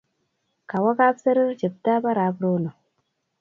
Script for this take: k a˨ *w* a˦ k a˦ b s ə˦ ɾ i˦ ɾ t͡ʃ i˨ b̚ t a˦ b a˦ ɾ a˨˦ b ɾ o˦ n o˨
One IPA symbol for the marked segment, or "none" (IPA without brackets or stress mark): w